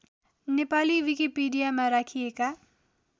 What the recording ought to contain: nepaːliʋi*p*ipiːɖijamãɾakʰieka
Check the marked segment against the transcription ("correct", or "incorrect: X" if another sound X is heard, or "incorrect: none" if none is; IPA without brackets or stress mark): incorrect: k